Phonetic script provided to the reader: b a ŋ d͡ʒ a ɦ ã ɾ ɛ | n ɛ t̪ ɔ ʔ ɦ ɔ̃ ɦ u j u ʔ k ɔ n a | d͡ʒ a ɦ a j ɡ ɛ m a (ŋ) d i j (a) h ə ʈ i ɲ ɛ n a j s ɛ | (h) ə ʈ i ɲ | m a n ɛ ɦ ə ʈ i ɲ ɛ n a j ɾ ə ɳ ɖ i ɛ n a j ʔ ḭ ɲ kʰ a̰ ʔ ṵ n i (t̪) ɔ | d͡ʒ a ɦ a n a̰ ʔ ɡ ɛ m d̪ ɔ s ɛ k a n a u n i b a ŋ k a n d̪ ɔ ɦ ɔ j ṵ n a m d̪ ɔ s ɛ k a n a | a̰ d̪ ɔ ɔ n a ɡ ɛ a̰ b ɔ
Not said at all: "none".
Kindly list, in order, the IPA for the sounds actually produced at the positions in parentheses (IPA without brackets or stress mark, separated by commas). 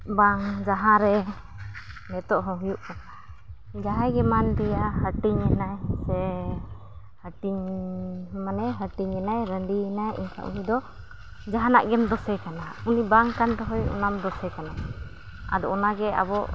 n, a, h, d̪